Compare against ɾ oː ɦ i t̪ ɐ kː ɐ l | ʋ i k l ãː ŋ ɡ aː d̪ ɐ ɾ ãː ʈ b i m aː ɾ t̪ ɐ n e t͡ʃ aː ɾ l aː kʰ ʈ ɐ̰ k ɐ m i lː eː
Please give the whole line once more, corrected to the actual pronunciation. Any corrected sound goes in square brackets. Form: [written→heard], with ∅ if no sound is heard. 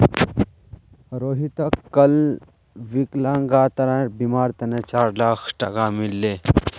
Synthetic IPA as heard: ɾ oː ɦ i t̪ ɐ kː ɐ l | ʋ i k l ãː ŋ ɡ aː [d̪→t̪] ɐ ɾ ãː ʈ b i m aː ɾ t̪ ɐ n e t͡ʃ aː ɾ l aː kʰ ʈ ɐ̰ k [ɐ→a] m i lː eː